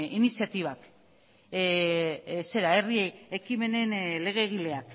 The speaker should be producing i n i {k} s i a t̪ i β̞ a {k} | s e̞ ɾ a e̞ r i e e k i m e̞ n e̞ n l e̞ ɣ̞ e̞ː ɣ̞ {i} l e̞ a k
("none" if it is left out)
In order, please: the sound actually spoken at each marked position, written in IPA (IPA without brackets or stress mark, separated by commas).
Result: none, k, i